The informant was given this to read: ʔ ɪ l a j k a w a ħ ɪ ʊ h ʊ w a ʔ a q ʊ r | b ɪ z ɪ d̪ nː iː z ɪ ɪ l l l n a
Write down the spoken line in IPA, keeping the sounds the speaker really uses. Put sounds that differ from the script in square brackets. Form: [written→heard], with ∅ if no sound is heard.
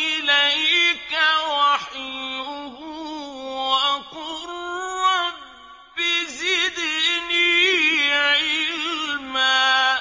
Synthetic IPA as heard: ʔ ɪ l a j k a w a ħ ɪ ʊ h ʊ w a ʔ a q ʊ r | b ɪ z ɪ d̪ [nː→n] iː [z→ʕ] ɪ ɪ l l l [n→m] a